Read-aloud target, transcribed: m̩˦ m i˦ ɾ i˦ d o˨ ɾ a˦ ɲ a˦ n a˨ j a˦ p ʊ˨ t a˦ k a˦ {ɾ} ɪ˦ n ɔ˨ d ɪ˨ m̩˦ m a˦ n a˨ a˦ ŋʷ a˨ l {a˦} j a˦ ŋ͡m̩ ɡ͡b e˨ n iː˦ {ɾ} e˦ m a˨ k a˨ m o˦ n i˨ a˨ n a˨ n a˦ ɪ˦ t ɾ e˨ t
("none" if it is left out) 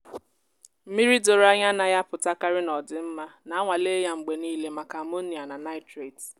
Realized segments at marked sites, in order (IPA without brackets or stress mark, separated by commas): ɾ, e˦, l